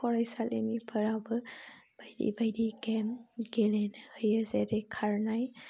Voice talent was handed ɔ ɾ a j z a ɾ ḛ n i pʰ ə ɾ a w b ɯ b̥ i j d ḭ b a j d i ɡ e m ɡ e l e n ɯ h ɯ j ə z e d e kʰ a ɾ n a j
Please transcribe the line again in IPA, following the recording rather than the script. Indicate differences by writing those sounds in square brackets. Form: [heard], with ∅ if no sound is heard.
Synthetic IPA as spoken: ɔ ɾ a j [s] a [l] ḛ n i pʰ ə ɾ a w b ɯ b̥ [a] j d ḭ b a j d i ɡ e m ɡ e l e n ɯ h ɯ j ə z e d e kʰ a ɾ n a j